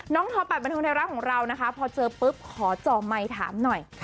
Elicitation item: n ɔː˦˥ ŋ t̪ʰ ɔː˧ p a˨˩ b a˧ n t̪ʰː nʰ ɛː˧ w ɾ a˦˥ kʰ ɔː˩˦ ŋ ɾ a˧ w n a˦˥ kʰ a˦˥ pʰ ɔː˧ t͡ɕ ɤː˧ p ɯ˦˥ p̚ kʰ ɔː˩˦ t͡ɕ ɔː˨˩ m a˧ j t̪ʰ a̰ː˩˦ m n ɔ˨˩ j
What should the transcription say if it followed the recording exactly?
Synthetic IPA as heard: n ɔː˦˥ ŋ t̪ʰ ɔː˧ p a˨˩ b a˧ n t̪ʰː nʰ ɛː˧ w ɾ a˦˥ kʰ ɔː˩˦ ŋ ɾ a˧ w n a˦˥ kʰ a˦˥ pʰ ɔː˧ t͡ɕ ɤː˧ p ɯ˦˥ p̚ kʰ ɔː˩˦ t͡ɕ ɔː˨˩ m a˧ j t̪ʰ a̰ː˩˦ m n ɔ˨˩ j

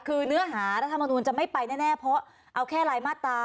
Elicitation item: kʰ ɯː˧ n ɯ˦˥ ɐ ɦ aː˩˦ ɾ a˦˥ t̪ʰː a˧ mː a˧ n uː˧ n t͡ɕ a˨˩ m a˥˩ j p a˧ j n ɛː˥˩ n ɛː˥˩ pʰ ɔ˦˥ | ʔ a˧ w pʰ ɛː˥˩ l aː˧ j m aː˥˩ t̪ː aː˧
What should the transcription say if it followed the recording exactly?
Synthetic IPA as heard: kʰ ɯː˧ n ɯ˦˥ ɐ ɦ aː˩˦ ɾ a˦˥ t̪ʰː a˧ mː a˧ n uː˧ n t͡ɕ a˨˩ m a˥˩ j p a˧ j n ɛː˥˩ n ɛː˥˩ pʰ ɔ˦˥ | ʔ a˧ w kʰ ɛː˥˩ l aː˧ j m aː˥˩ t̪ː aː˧

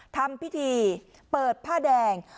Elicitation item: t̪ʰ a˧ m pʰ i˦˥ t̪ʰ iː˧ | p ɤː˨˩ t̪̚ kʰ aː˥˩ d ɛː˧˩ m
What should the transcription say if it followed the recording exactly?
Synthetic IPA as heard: t̪ʰ a˧ m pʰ i˦˥ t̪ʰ iː˧ | p ɤː˨˩ t̪̚ pʰ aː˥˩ d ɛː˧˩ ŋ

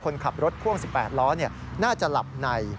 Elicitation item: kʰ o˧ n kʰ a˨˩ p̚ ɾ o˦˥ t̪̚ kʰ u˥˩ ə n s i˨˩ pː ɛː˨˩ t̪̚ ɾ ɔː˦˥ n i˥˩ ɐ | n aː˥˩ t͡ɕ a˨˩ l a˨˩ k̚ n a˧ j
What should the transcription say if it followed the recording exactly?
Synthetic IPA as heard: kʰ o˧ n kʰ a˨˩ p̚ ɾ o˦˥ t̪̚ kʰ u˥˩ ə ŋ s i˨˩ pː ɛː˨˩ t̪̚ l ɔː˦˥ n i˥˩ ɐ | n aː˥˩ t͡ɕ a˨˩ l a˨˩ p̚ n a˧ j

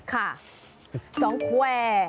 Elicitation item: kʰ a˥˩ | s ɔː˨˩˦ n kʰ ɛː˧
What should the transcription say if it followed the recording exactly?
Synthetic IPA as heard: kʰ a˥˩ | s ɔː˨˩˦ ŋ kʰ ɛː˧

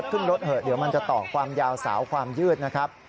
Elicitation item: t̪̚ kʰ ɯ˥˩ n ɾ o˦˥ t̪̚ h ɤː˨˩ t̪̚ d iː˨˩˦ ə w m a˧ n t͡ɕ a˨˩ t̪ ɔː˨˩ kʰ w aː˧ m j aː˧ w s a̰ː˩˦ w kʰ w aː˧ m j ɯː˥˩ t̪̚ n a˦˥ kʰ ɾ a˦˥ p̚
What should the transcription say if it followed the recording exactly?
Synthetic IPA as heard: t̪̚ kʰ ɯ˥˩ n ɾ o˦˥ t̪̚ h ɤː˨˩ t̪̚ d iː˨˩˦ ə w m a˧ n t͡ɕ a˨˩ t̪ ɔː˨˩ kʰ w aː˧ m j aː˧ w s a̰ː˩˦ w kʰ w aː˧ m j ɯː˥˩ t̪̚ n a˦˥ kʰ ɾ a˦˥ p̚

